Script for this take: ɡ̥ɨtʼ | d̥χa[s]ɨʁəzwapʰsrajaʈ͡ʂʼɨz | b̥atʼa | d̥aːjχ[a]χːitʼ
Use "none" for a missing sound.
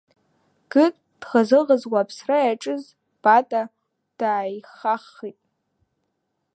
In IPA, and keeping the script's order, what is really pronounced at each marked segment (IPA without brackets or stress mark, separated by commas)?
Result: z, a